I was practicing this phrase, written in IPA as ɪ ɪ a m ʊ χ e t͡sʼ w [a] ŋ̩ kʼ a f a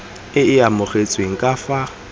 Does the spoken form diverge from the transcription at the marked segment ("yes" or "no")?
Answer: yes